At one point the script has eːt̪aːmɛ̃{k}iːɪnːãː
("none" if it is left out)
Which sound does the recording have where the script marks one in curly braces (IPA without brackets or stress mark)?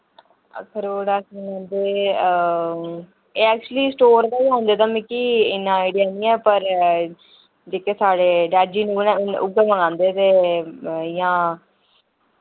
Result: k